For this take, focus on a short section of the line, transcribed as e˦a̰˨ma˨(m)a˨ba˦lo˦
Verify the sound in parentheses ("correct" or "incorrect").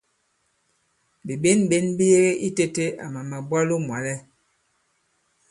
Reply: correct